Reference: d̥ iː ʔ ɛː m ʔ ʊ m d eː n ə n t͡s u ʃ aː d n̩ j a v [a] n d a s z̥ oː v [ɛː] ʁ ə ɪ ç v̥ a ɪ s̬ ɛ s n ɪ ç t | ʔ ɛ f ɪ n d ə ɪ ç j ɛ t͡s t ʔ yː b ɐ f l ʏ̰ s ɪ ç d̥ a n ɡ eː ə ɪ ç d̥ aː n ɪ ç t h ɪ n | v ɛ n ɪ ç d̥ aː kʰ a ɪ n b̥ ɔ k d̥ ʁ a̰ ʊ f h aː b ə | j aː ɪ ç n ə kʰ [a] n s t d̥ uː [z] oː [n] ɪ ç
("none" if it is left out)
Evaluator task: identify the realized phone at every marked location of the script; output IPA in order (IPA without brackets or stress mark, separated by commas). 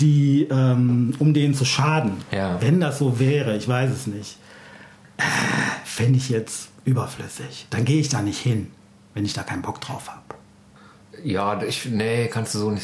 ɛ, ɛː, a, z, n